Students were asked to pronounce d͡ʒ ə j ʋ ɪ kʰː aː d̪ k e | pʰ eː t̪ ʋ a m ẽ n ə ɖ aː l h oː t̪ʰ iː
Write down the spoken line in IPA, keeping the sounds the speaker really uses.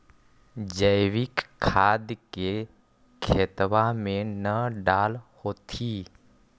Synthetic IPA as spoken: d͡ʒ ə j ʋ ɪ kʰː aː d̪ k e | kʰ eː t̪ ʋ a m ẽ n ə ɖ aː l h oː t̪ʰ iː